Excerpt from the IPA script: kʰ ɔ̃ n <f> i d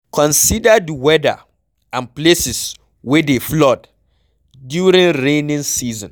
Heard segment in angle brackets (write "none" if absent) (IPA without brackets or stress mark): s